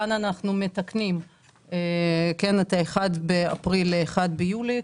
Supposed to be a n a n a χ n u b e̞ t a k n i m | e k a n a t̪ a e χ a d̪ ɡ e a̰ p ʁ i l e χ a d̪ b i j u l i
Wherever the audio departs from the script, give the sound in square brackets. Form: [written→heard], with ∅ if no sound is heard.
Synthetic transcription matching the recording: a n a n a χ n u [b→m] e̞ t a k n i m | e k [a→e] n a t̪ a e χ a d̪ [ɡ→b] e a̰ p ʁ i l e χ a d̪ b [i→e] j u l i

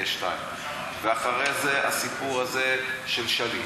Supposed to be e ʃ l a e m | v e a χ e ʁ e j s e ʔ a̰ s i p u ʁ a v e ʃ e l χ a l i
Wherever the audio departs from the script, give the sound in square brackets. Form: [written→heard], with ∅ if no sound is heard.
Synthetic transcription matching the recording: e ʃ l a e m | v e a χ [e→a] ʁ e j [s→z] e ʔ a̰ s i p u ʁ a [v→z] e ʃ e l [χ→ʃ] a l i

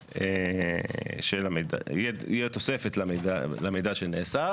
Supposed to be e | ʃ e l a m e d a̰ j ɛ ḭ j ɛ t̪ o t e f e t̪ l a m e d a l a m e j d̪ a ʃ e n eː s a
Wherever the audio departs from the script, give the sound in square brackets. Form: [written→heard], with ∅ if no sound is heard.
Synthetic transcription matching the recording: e | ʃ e l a m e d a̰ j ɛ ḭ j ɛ t̪ o [t→s] e f e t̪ l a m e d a l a m e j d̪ a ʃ e n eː s a

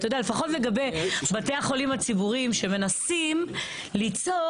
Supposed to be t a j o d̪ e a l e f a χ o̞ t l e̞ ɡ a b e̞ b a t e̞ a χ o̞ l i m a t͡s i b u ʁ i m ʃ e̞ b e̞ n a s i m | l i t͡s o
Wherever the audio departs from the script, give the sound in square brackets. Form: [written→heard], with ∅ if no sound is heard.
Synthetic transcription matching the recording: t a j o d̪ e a l e f a χ o̞ t l e̞ ɡ a b e̞ b a t e̞ a χ o̞ l i m a t͡s i b u ʁ i m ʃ e̞ [b→m] e̞ n a s i m | l i t͡s o

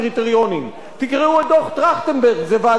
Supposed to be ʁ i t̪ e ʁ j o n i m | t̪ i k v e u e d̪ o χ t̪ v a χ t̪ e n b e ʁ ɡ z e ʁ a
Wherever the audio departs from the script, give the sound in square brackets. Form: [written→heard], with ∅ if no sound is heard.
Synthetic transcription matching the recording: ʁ i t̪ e ʁ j o n i m | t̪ i k [v→ʁ] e u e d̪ o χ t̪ [v→ʁ] a χ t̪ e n b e ʁ ɡ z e [ʁ→v] a

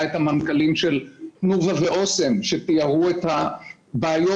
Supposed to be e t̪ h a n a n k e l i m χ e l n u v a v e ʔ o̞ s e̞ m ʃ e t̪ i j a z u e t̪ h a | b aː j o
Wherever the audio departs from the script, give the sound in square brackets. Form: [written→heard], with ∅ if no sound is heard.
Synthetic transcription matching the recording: e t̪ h a [n→m] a n k [e→a] l i m [χ→ʃ] e l n u v a v e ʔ o̞ s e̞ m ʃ e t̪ i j a [z→ʁ] u e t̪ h a | b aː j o

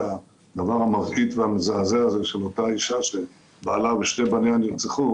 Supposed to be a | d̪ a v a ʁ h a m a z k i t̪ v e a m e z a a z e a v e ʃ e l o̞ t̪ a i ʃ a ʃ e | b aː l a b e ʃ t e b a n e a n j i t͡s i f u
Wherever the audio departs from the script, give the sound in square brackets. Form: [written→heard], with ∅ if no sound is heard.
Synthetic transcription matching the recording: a | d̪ a v a ʁ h a m a [z→ʁ] k i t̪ v e a m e z a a z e a [v→z] e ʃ e l o̞ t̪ a i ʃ a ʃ e | b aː l a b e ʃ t e b a n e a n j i t͡s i [f→χ] u

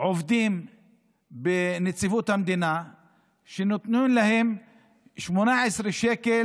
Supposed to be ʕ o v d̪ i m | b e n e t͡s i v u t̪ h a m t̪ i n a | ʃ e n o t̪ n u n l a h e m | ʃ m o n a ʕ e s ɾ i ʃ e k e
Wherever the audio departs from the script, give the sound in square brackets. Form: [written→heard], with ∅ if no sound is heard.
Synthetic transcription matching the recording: ʕ o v d̪ i m | b e n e t͡s i v u t̪ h a m [t̪→d̪] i n a | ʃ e n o t̪ n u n l a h e m | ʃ m o n a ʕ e s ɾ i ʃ e k e

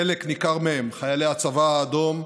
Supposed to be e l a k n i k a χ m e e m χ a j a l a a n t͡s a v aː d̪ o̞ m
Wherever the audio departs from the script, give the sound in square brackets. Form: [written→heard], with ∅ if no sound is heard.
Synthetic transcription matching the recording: e l [a→e] k n i k a [χ→ʁ] m e e m χ a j a l [a→e] a [n→∅] t͡s a v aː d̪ o̞ m

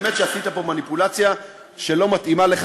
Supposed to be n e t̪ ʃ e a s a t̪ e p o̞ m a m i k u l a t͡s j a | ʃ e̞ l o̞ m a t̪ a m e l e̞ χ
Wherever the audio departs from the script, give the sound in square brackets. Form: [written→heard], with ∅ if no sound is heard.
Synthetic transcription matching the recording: [n→m] e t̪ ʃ e a s [a→i] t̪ [e→a] p o̞ m a [m→n] i [k→p] u l a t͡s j a | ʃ e̞ l o̞ m a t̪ [a→i] m [e→a] l e̞ χ

